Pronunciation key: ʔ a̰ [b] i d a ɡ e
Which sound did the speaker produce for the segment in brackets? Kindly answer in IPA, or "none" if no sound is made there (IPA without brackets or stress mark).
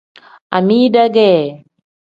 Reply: m